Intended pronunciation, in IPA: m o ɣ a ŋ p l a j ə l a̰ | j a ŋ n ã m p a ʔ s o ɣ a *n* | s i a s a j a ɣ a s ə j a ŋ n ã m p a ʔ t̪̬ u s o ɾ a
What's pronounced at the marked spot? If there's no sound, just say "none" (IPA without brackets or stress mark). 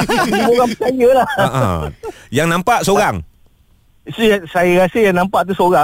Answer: ŋ